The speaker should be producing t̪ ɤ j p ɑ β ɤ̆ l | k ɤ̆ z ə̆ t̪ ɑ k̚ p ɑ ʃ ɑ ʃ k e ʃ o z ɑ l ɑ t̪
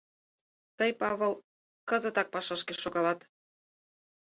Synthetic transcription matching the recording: t̪ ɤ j p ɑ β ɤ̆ l | k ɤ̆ z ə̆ t̪ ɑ k̚ p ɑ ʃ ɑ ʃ k e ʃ o ɣ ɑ l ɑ t̪